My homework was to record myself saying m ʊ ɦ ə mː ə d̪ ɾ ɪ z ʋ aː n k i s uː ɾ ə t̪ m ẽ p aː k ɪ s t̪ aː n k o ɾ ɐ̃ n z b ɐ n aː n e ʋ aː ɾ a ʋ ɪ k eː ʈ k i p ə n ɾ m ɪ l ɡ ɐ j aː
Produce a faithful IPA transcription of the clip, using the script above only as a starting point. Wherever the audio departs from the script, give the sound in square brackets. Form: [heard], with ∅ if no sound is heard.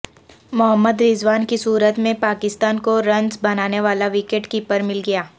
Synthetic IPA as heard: m ʊ ɦ ə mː ə d̪ ɾ ɪ z ʋ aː n k i s uː ɾ ə t̪ m ẽ p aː k ɪ s t̪ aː n k o ɾ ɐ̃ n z b ɐ n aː n e ʋ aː [l] a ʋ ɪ k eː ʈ k i p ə [∅] ɾ m ɪ l ɡ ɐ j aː